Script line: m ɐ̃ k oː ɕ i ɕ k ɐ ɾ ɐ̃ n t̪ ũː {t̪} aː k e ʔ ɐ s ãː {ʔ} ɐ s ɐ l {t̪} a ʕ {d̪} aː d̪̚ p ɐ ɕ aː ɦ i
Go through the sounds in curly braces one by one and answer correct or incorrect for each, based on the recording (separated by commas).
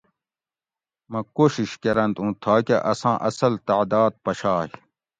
incorrect, correct, correct, correct